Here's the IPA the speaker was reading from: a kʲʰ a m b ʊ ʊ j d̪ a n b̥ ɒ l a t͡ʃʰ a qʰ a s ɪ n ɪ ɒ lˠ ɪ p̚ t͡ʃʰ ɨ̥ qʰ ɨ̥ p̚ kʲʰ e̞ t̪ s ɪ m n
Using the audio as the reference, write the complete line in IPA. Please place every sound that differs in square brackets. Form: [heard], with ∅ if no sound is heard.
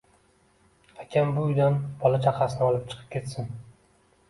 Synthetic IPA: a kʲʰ a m b ʊ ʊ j d̪ a n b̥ ɒ l a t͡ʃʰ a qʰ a s ɪ n ɪ ɒ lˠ ɪ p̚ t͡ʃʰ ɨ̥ qʰ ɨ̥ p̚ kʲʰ e̞ t̪ s ɪ [∅] n